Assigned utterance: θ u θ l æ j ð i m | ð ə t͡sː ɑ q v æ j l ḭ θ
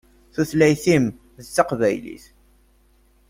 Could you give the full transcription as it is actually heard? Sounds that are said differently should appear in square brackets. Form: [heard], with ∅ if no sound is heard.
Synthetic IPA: θ u θ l æ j [θ] i m | ð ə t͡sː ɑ q v æ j l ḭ θ